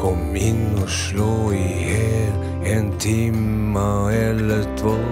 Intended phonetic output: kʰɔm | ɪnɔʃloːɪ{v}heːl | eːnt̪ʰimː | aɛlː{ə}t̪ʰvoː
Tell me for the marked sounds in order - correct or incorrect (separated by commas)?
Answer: incorrect, correct